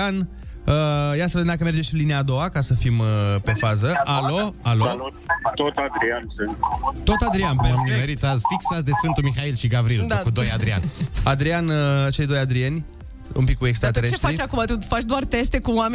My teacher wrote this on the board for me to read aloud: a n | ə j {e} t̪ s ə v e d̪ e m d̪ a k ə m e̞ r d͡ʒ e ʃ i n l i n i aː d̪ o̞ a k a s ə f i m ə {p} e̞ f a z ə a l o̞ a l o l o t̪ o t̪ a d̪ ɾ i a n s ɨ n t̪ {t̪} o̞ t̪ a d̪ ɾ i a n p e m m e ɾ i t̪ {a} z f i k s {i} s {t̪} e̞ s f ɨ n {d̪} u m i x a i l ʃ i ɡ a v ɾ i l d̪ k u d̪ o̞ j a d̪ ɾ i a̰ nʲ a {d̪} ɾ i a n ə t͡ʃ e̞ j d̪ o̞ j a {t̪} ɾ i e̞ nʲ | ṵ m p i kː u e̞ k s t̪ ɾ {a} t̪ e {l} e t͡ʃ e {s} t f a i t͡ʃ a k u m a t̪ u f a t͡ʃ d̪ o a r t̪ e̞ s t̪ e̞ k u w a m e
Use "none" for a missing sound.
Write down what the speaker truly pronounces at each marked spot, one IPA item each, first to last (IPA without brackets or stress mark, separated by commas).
a, p, t̪, a, a, d̪, t̪, d̪, d̪, a, ɾ, ʃ